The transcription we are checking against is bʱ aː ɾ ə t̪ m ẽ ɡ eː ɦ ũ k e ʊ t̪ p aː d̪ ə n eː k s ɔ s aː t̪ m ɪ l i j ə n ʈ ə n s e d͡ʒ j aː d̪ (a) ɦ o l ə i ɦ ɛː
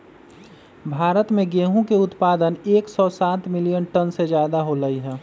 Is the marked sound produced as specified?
yes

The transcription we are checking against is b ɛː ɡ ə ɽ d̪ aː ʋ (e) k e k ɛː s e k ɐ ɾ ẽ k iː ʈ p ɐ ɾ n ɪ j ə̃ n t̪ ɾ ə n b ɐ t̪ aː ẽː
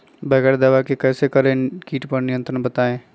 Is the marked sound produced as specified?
no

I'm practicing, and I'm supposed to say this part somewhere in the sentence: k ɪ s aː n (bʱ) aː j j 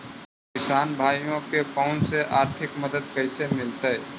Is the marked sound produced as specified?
yes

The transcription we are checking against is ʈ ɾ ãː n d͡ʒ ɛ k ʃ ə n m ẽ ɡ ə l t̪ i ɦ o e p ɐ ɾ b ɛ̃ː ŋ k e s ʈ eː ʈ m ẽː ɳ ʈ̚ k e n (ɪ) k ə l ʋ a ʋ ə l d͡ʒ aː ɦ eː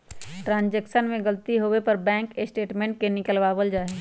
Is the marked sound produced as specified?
yes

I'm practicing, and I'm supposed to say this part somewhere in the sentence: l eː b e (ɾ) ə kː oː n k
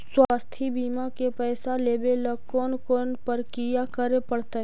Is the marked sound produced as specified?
no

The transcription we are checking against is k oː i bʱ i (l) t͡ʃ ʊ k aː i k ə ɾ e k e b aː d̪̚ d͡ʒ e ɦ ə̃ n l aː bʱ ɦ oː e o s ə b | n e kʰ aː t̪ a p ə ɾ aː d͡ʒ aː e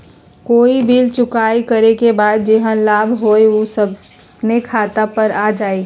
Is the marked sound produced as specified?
yes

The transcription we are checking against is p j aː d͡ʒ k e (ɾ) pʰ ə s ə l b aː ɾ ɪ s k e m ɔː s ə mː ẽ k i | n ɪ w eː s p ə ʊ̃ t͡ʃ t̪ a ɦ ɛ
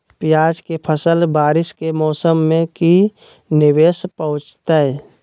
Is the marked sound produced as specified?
no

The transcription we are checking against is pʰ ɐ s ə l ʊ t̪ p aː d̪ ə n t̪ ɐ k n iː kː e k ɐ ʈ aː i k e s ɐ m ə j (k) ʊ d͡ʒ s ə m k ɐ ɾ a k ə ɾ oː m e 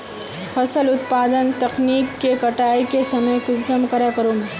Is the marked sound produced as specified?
yes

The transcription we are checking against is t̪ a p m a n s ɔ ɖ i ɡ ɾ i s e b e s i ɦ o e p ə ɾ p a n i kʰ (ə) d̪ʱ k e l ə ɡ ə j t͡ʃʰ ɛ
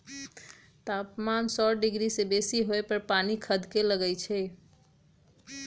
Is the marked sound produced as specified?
yes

